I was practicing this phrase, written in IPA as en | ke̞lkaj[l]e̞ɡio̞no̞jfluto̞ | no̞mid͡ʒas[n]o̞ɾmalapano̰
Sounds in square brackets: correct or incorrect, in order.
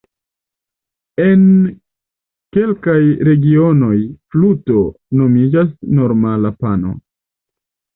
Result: incorrect: ɾ, correct

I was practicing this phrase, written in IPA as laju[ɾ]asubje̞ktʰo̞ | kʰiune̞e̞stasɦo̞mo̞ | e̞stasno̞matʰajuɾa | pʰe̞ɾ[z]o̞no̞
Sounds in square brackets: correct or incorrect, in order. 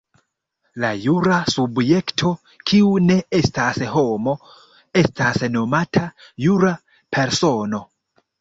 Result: correct, incorrect: s

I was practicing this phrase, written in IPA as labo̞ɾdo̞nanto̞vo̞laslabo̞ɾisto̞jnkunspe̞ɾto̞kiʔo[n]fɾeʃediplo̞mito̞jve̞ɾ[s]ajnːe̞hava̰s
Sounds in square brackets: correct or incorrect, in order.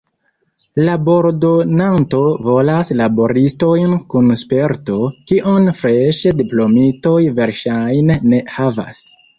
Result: correct, incorrect: ʃ

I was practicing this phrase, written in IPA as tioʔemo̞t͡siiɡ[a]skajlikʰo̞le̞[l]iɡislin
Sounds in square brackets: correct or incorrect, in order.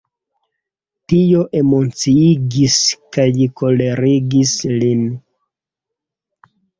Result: incorrect: i, incorrect: ɾ

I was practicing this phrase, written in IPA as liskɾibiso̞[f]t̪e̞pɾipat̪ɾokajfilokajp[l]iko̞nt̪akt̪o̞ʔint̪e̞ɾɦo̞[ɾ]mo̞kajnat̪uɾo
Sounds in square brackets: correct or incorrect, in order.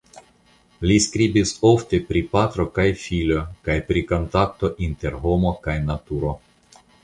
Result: correct, incorrect: ɾ, incorrect: none

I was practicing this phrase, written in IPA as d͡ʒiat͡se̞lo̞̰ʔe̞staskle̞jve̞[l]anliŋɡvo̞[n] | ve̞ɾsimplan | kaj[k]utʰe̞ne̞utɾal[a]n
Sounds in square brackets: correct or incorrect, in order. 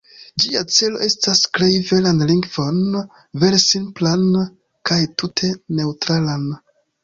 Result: correct, correct, incorrect: t, correct

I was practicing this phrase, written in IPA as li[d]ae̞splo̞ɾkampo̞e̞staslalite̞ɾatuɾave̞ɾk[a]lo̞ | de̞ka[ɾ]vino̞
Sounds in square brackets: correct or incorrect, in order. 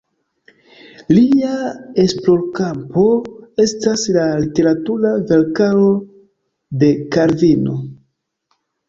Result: incorrect: none, correct, correct

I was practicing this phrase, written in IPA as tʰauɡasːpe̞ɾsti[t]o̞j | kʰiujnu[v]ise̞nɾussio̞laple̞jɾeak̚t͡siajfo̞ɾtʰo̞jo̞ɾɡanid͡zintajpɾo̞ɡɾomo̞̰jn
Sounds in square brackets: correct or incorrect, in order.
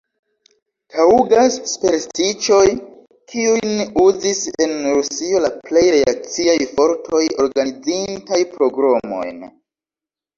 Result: incorrect: t͡ʃ, incorrect: z

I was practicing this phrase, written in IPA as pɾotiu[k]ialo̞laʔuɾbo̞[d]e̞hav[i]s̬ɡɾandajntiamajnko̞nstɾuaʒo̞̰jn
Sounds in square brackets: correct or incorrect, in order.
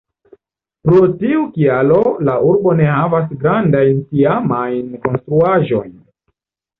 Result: correct, incorrect: n, incorrect: a

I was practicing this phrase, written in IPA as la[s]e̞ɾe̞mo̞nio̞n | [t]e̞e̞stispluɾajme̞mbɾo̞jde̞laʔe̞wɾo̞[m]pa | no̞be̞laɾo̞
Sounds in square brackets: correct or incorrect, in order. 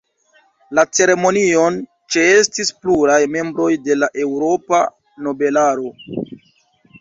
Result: incorrect: t͡s, incorrect: t͡ʃ, incorrect: none

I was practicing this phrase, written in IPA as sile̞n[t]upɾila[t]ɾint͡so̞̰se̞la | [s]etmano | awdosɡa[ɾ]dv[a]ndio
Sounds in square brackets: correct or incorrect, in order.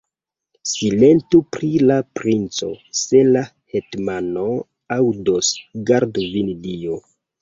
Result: correct, incorrect: p, incorrect: h, correct, incorrect: i

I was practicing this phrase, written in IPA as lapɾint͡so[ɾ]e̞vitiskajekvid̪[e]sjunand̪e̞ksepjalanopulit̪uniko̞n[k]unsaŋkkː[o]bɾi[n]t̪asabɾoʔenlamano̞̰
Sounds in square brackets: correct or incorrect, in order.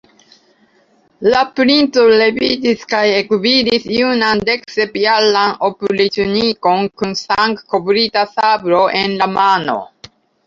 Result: incorrect: l, incorrect: i, correct, correct, incorrect: none

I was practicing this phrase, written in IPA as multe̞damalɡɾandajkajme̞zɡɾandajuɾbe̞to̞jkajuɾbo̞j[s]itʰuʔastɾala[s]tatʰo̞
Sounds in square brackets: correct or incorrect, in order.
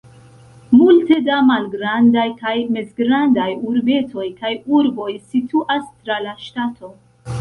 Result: correct, incorrect: ʃ

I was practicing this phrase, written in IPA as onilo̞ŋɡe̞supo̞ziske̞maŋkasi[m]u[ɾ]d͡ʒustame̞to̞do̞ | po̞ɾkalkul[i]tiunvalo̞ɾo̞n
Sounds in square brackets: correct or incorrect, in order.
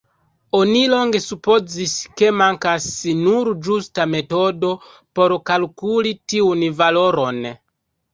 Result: incorrect: n, correct, correct

